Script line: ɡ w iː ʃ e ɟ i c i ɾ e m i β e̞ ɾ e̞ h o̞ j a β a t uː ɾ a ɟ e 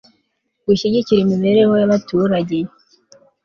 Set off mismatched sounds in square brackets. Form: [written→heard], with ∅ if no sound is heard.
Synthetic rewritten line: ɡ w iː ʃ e ɟ i c i ɾ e m i β e̞ ɾ e̞ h o̞ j a β a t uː ɾ a ɟ e